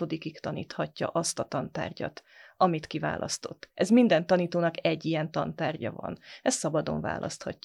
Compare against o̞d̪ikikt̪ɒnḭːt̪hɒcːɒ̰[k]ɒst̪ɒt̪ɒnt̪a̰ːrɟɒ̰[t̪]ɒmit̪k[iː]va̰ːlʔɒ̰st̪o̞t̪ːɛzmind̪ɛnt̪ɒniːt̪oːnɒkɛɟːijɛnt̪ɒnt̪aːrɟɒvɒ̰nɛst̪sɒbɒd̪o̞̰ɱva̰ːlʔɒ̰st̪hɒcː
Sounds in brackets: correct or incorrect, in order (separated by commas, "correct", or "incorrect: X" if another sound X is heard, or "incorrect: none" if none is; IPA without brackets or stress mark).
incorrect: ʔ, correct, incorrect: i